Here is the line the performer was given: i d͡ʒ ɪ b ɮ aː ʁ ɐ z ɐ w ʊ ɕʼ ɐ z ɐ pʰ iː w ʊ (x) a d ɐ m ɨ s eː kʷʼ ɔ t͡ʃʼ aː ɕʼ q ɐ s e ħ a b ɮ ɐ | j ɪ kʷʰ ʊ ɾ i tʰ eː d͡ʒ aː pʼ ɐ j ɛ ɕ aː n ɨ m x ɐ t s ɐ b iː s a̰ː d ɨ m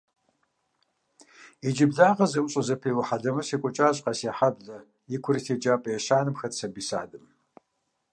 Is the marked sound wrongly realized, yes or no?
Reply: yes